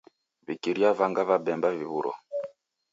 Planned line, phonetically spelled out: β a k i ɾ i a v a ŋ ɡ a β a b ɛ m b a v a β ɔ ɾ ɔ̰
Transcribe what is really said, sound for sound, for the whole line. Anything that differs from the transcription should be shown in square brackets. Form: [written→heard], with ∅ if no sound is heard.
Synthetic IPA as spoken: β [a→i] k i ɾ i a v a ŋ ɡ a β a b ɛ m b a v [a→i] β [ɔ→u] ɾ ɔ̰